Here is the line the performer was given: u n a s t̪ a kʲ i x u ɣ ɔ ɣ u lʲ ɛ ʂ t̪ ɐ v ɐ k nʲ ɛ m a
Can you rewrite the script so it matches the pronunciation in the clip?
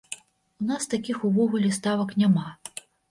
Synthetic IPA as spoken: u n a s t̪ a kʲ i x u v ɔ ɣ u lʲ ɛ s t̪ a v ɐ k nʲ a m a